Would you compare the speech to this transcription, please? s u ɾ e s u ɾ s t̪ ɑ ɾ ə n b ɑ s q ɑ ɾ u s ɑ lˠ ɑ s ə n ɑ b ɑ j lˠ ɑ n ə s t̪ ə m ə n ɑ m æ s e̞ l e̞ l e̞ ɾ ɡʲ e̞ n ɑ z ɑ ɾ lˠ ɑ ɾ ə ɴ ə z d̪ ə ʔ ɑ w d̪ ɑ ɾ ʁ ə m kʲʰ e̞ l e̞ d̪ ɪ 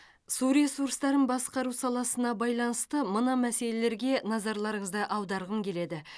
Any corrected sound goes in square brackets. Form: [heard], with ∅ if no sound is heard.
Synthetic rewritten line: s u ɾ e s u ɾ s t̪ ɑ ɾ ə n b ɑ s q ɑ ɾ u s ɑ lˠ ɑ s ə n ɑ b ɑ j lˠ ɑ n ə s t̪ ə m ə n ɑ m æ s e̞ l e̞ l e̞ ɾ ɡʲ e̞ n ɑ z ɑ ɾ lˠ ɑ ɾ ə ɴ ə z d̪ ə ʔ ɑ w d̪ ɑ ɾ ʁ ə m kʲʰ e̞ l e̞ d̪ ɪ